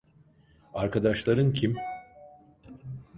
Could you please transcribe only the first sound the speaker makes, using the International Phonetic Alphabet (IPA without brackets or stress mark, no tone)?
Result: a